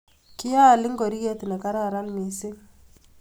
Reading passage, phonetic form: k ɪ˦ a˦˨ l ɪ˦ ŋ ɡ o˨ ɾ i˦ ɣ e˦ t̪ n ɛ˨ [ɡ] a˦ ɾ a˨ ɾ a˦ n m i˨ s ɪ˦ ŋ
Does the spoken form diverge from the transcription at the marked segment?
yes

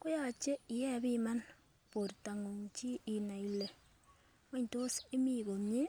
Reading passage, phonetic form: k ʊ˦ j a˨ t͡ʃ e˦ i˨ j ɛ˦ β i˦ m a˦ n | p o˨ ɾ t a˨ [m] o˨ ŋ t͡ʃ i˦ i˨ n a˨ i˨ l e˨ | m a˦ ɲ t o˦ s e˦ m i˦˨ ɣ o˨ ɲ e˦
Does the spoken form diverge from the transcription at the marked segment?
yes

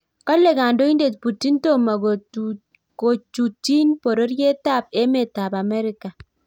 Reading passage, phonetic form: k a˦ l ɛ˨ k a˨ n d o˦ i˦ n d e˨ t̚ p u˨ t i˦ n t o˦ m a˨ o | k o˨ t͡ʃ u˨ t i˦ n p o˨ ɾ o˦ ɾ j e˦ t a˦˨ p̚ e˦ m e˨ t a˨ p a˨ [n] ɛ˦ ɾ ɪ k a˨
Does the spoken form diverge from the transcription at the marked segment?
yes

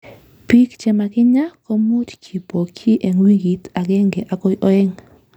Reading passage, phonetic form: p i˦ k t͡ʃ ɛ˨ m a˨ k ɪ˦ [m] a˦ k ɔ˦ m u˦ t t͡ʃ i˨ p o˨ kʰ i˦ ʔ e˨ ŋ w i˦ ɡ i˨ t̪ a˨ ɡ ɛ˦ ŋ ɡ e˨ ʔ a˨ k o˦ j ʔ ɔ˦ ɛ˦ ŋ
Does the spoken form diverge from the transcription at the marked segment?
yes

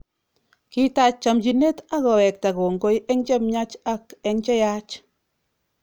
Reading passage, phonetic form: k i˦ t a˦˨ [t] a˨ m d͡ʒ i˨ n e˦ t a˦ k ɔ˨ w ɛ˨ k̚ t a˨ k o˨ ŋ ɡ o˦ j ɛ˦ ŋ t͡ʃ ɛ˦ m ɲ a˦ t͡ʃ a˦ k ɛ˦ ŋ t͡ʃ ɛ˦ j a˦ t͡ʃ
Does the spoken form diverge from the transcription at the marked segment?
yes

